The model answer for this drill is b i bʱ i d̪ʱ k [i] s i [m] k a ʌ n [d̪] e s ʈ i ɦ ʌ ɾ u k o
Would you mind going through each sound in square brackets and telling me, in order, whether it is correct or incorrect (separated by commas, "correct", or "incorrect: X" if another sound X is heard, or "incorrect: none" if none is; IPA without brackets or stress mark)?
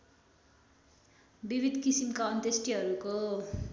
correct, correct, incorrect: t̪